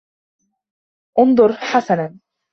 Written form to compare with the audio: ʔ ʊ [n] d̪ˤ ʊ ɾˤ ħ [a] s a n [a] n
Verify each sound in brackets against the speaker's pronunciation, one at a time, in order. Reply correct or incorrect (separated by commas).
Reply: correct, correct, correct